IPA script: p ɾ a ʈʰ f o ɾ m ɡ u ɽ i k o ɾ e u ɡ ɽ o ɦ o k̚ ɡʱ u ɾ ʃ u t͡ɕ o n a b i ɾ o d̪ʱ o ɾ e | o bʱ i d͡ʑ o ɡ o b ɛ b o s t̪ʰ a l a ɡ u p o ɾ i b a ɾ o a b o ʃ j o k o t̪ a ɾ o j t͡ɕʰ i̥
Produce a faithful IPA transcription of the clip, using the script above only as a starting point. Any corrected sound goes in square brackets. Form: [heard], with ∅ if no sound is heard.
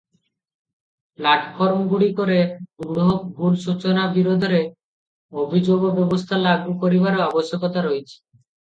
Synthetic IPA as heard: p [l] a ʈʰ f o ɾ m ɡ u ɽ i k o ɾ e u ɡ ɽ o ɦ o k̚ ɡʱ u ɾ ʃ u t͡ɕ o n a b i ɾ o d̪ʱ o ɾ e | o bʱ i d͡ʑ o ɡ o b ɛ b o s t̪ʰ a l a ɡ u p o ɾ i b a ɾ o a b o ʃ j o k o t̪ a ɾ o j t͡ɕʰ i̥